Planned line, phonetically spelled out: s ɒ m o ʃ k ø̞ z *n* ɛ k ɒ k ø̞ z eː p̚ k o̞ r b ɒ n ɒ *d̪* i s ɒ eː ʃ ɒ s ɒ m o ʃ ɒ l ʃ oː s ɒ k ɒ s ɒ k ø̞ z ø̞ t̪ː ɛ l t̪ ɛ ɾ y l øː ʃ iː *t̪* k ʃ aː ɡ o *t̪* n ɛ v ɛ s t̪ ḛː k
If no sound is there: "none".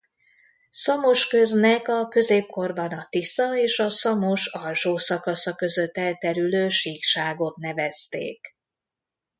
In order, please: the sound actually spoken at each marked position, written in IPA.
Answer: n, t̪, none, t̪

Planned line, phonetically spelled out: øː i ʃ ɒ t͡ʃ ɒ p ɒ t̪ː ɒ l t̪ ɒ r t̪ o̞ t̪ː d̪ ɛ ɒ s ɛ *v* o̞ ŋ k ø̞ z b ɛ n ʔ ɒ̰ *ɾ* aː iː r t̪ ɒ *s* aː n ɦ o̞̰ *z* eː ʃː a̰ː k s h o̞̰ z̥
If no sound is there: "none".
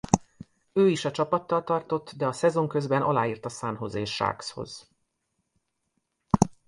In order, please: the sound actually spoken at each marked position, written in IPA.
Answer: z, l, s, z

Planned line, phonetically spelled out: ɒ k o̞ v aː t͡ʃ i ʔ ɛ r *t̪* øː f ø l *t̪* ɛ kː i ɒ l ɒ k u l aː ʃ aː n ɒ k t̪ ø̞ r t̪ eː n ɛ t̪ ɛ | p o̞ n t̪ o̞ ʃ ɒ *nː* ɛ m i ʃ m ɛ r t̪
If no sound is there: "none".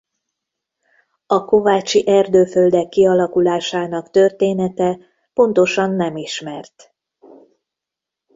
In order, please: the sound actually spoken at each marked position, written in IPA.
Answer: d̪, d̪, nː

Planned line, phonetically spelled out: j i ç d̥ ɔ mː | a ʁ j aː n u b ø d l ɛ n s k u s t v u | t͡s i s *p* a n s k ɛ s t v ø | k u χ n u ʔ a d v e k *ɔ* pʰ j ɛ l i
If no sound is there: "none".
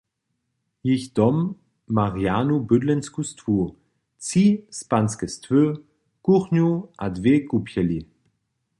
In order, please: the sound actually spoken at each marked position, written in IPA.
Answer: p, u

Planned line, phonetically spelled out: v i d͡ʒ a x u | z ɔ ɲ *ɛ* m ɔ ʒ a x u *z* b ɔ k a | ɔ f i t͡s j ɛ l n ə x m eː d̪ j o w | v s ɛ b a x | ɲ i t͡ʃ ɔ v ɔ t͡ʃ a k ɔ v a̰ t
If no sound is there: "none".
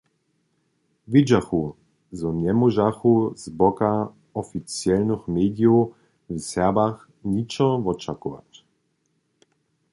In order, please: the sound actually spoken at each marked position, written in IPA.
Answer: ɛ, z

